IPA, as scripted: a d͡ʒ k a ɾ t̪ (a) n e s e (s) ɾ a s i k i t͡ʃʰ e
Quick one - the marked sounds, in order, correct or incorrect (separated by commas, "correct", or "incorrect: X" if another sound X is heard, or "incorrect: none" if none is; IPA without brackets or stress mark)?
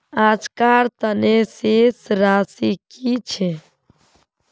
incorrect: ə, correct